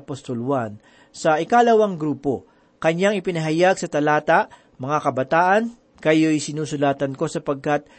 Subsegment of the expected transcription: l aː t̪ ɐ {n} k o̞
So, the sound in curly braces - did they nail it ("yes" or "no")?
yes